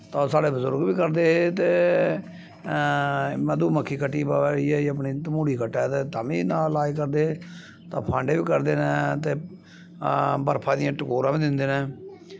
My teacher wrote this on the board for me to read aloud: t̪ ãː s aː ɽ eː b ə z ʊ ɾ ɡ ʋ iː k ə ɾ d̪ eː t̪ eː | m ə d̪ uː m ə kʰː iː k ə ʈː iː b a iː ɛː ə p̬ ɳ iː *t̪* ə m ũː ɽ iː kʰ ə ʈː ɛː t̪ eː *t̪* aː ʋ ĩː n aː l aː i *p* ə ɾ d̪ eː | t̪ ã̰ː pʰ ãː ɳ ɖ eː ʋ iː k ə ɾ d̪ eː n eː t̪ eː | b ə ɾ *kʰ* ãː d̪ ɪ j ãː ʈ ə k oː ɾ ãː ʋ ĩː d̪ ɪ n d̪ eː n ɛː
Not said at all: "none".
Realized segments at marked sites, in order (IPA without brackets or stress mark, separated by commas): t̪, t̪, k, pʰ